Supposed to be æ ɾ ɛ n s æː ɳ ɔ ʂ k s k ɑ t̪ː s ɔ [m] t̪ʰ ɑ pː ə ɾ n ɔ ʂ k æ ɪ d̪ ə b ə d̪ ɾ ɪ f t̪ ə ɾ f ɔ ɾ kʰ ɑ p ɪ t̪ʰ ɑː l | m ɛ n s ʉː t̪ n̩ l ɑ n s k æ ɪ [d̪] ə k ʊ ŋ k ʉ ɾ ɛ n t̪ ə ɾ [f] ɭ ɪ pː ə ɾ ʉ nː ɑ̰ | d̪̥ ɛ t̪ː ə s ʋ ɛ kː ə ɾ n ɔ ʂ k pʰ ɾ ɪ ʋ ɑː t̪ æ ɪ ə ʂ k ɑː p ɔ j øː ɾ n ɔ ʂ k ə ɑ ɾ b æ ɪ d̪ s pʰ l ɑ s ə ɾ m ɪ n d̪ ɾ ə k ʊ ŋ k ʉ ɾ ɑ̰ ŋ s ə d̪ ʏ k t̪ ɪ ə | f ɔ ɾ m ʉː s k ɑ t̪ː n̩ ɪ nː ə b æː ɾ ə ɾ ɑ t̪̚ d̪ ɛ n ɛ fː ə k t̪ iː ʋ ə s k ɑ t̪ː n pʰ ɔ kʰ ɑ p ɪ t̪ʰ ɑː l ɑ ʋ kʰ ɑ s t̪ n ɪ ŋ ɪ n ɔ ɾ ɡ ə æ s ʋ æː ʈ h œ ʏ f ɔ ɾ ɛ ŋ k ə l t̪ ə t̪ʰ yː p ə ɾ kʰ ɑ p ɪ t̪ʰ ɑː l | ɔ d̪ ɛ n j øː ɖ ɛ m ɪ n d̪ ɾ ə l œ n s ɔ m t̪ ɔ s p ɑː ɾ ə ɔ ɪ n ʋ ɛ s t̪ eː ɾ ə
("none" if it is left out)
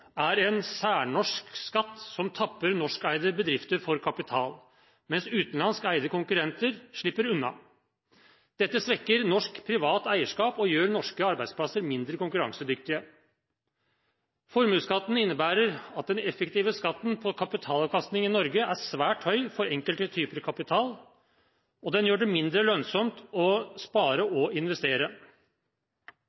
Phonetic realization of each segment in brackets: m, d̪, ʂ

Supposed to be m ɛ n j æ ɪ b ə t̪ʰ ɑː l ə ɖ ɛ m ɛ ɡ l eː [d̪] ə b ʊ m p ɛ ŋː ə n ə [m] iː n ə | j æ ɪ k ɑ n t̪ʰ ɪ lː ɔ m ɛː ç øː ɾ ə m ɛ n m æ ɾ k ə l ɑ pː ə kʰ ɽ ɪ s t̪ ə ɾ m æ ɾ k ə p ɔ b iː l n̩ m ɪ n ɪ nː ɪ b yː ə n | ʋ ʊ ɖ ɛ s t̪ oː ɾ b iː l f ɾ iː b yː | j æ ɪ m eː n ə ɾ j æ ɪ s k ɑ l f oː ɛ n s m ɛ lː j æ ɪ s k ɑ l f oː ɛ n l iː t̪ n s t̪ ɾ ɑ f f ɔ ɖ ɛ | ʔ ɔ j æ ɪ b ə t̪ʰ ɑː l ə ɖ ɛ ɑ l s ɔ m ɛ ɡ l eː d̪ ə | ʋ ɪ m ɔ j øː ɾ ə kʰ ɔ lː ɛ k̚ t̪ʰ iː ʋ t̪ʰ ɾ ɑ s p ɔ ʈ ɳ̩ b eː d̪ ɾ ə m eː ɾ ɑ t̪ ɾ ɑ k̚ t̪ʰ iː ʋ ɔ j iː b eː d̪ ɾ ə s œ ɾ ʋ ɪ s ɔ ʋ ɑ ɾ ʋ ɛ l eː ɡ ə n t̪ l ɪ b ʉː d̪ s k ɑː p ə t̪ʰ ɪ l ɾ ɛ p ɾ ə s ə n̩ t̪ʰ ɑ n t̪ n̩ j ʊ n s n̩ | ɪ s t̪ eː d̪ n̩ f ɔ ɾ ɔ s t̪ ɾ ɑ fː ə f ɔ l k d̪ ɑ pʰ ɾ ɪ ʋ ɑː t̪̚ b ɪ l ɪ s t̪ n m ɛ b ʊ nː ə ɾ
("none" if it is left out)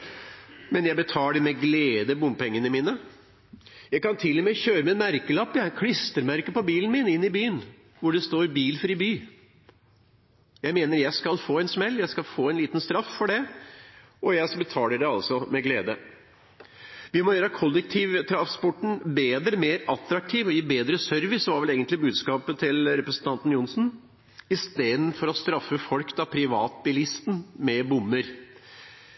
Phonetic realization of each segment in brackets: d̪, m

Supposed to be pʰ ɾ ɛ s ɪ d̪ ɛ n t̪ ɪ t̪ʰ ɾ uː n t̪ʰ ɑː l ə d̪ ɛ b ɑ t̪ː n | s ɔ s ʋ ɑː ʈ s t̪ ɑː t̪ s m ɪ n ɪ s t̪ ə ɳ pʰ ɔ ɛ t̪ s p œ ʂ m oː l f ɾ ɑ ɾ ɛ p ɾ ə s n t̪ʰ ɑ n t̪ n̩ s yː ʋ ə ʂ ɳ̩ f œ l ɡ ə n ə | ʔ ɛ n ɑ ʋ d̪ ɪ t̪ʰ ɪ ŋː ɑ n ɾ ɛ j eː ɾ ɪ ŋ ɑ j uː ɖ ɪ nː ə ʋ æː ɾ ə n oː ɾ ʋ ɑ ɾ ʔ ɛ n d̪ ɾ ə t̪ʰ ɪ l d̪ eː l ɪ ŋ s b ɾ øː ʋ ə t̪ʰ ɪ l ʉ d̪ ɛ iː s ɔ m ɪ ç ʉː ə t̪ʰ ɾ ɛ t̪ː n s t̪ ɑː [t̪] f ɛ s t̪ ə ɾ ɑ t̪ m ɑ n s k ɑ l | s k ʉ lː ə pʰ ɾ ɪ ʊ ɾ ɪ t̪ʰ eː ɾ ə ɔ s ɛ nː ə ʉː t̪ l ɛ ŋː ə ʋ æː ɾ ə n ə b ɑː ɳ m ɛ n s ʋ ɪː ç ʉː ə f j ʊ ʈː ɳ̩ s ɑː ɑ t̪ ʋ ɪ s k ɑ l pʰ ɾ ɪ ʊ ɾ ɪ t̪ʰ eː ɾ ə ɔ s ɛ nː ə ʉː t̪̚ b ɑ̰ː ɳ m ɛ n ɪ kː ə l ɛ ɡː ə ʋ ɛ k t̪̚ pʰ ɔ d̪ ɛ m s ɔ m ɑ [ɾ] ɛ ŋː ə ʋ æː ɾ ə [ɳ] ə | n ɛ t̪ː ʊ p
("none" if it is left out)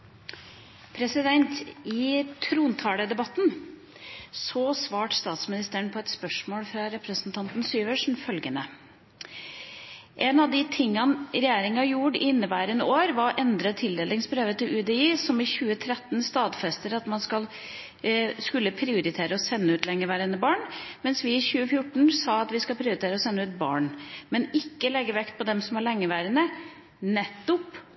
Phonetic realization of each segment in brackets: d̪, ɭ, n

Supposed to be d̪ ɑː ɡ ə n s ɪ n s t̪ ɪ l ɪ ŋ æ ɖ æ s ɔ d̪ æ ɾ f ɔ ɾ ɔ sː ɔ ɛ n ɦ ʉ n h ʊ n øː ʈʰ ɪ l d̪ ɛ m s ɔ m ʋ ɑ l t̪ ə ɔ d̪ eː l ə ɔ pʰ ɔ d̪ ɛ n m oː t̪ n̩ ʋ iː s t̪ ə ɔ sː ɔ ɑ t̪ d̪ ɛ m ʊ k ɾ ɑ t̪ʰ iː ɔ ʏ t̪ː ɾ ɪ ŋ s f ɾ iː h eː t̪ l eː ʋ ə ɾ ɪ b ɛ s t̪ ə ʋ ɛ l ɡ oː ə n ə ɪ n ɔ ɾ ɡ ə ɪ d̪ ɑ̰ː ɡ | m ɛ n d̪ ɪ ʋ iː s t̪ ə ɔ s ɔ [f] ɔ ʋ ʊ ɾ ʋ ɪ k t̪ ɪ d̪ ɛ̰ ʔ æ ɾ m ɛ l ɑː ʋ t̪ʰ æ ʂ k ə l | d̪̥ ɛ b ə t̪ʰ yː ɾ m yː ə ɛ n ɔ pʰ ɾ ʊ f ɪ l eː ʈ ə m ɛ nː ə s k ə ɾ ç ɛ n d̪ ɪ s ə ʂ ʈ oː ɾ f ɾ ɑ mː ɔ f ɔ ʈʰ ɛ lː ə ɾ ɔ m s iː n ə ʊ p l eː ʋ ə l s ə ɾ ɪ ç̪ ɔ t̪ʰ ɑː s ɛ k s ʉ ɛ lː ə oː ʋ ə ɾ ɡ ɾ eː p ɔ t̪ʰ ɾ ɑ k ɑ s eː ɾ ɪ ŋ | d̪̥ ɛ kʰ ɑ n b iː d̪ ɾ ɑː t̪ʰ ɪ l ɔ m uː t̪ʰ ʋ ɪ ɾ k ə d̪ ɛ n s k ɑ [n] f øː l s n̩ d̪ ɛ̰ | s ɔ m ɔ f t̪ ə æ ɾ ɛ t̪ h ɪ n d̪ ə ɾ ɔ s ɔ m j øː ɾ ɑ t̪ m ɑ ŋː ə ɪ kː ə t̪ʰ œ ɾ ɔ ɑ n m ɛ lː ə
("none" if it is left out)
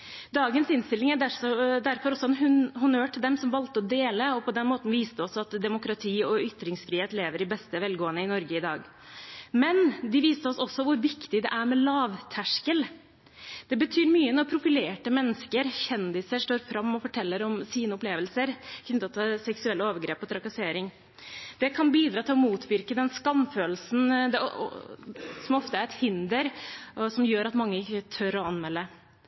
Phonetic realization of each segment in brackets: s, m

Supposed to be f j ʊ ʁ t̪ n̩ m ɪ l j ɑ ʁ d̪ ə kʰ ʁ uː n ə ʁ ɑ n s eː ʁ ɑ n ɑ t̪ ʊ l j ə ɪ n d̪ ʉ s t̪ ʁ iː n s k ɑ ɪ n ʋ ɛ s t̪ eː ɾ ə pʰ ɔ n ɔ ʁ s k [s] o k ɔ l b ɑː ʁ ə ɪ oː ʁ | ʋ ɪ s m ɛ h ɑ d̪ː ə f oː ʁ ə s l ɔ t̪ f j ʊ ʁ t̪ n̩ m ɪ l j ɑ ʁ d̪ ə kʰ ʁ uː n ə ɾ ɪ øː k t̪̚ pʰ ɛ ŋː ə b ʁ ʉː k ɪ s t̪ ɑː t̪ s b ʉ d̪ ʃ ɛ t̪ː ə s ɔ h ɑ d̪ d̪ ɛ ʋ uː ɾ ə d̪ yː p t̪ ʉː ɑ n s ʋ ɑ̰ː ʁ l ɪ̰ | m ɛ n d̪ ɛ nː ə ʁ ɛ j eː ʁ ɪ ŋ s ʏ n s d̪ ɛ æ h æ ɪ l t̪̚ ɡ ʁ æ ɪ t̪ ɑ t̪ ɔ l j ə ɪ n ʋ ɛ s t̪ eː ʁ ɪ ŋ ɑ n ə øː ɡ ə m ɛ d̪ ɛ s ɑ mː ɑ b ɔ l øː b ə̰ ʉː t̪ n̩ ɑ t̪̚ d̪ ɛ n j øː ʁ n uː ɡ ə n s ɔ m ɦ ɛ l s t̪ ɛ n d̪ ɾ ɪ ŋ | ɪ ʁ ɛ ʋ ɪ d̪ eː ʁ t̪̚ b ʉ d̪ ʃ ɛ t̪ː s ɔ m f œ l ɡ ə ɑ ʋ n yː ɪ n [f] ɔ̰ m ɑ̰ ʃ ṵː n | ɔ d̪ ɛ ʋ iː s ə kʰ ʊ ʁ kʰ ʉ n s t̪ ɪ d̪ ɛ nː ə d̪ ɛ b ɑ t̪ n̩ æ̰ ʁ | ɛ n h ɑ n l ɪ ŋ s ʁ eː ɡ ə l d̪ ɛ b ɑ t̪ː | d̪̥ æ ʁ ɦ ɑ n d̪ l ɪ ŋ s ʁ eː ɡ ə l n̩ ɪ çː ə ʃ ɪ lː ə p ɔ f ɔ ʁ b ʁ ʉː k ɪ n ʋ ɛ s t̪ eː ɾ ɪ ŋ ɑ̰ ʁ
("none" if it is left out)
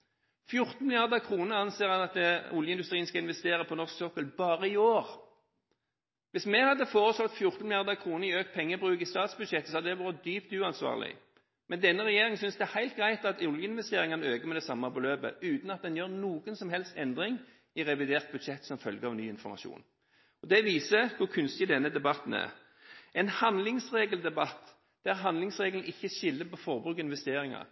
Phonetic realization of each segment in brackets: s, f

